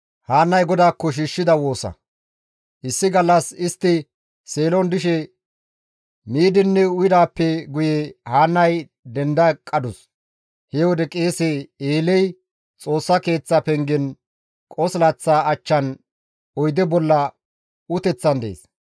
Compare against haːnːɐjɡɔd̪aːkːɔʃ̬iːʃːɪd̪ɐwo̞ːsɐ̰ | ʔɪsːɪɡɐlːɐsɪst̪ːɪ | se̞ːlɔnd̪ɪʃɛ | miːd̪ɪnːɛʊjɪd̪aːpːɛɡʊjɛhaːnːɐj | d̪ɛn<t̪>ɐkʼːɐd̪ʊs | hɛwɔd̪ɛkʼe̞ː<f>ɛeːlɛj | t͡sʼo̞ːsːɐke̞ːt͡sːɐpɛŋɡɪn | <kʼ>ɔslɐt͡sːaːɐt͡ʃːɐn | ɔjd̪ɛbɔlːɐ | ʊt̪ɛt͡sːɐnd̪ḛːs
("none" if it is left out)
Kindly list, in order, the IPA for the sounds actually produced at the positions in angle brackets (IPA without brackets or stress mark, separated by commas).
d̪, s, kʼ